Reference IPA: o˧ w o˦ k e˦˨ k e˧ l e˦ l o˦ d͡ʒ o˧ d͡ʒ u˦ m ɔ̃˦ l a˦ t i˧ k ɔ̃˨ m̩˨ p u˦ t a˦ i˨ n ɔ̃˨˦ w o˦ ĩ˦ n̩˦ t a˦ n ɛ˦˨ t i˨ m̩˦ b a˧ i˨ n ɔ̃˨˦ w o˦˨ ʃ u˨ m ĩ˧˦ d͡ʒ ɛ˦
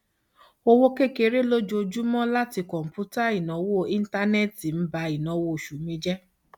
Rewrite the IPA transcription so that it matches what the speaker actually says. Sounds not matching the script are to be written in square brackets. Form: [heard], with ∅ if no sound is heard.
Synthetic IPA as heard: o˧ w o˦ k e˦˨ k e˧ [ɾ] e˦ l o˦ d͡ʒ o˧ d͡ʒ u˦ m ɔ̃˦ l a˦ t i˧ k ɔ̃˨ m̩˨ p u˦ t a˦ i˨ n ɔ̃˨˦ w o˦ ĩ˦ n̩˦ t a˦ n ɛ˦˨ t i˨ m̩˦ b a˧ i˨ n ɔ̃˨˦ w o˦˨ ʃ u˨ m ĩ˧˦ d͡ʒ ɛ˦